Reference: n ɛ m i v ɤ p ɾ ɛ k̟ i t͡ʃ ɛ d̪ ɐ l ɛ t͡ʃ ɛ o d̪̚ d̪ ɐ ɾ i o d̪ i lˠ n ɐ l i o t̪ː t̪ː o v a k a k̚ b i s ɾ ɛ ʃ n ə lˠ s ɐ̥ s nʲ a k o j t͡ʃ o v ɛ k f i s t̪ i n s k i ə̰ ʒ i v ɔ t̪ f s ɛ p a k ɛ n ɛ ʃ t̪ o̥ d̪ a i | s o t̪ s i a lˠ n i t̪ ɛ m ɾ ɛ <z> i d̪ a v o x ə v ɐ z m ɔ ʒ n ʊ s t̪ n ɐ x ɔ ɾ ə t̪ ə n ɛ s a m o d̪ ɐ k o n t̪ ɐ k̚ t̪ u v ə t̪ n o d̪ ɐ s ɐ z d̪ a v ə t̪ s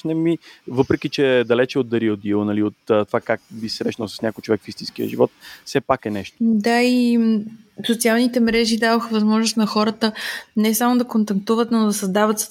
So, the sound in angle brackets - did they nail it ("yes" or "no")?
no